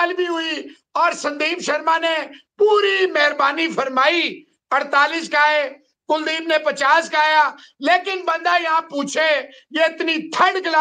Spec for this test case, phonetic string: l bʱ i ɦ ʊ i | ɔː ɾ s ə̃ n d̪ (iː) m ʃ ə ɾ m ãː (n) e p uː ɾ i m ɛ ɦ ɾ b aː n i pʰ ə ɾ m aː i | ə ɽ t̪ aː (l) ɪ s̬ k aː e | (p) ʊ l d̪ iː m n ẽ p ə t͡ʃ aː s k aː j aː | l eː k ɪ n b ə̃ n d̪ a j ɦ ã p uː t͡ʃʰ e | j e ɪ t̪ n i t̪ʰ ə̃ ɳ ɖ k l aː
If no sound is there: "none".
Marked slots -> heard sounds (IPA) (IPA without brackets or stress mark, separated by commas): iː, n, l, k